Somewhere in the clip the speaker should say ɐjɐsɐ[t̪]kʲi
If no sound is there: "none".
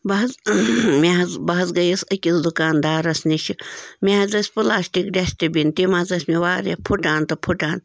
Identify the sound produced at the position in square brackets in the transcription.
none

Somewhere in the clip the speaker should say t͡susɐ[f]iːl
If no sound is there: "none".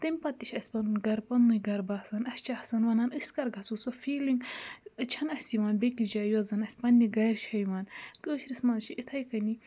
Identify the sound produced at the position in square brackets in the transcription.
f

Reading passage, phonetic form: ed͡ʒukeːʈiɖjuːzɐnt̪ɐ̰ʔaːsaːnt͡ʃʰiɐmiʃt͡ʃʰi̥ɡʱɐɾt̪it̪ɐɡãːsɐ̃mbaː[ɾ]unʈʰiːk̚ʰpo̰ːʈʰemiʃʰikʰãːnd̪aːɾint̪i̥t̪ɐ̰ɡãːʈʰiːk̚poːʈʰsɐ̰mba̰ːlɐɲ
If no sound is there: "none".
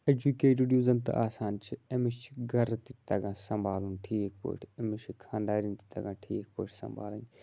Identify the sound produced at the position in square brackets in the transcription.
l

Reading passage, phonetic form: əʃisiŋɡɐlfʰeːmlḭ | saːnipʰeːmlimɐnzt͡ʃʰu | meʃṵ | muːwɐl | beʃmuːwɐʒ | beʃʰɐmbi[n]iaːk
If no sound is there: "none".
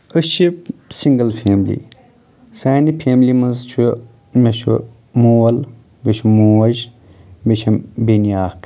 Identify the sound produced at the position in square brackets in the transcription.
n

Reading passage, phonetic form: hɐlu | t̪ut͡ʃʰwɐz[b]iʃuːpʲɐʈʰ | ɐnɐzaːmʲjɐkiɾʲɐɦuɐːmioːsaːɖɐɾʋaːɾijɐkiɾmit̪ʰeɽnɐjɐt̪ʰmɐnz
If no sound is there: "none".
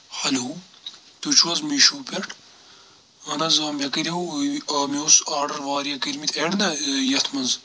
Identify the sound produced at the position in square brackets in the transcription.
m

